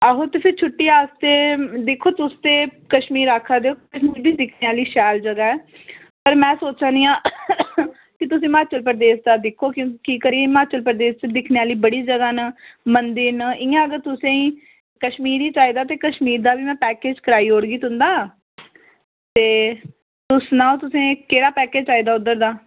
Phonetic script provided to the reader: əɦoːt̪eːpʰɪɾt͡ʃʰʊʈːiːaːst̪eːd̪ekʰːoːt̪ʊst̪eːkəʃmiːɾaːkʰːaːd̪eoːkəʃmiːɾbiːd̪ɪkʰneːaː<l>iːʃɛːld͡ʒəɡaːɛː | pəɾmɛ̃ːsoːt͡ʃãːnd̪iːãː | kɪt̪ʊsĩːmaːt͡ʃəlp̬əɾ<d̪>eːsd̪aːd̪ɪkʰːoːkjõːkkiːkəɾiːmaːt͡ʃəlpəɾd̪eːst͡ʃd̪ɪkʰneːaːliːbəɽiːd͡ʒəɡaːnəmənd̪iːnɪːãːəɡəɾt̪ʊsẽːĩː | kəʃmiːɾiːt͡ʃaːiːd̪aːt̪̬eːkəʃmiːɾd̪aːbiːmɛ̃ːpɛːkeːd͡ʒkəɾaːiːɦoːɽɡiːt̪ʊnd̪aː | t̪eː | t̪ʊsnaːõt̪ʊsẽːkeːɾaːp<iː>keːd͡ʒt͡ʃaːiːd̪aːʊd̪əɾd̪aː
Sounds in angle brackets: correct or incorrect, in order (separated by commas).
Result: correct, correct, incorrect